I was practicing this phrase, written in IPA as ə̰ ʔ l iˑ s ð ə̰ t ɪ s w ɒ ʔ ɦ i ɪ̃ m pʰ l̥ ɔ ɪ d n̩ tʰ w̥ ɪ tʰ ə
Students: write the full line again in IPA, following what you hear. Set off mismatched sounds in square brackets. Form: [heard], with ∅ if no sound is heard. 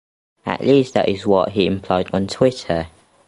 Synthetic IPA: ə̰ ʔ l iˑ s ð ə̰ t ɪ [z] w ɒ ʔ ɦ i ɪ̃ m pʰ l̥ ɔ ɪ d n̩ tʰ w̥ ɪ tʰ ə